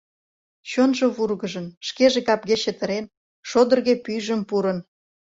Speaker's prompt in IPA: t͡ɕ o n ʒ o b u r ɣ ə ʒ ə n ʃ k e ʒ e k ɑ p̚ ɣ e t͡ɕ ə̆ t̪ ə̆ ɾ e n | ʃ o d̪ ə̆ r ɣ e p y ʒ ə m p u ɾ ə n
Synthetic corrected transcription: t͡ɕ o n ʒ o β u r ɣ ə ʒ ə n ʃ k e ʒ e k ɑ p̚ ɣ e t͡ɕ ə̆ t̪ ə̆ ɾ e n | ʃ o d̪ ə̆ r ɣ e p y ʒ ə m p u ɾ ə n